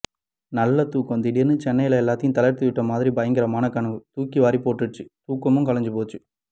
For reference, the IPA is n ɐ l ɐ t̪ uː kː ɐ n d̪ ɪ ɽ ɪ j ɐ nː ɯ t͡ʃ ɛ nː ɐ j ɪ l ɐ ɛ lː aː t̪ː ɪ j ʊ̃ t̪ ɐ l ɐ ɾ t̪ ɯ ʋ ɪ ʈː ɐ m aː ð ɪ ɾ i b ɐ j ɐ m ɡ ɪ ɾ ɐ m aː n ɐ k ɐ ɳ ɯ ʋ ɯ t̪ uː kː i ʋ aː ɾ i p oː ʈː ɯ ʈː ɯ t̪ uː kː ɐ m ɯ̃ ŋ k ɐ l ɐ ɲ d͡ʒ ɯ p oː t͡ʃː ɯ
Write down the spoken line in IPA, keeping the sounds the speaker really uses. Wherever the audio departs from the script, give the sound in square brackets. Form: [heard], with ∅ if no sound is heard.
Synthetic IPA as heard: n ɐ [lː] ɐ t̪ uː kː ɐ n d̪ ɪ ɽ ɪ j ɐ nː ɯ t͡ʃ ɛ nː ɐ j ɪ l ɐ ɛ lː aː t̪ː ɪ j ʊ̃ t̪ ɐ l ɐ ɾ t̪ ɯ ʋ ɪ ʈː ɐ m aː ð ɪ ɾ i b ɐ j ɐ [ŋ] ɡ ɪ ɾ ɐ m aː n ɐ k ɐ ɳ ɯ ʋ ɯ t̪ uː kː i ʋ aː ɾ i p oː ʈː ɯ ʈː ɯ t̪ uː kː ɐ m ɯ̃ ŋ k ɐ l ɐ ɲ d͡ʒ ɯ p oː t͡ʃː ɯ